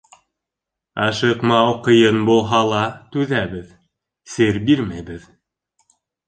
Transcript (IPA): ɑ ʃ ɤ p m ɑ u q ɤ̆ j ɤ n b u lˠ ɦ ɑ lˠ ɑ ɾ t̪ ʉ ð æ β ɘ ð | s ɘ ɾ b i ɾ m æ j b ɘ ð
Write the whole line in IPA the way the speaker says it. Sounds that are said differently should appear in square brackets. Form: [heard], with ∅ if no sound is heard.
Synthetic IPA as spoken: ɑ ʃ ɤ [q] m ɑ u q ɤ̆ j ɤ n b u lˠ ɦ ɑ lˠ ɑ [∅] t̪ ʉ ð æ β ɘ ð | s ɘ ɾ b i ɾ m æ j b ɘ ð